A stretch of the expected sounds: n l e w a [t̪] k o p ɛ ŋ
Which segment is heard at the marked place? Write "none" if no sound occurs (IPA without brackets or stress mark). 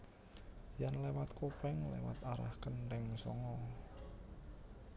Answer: t̪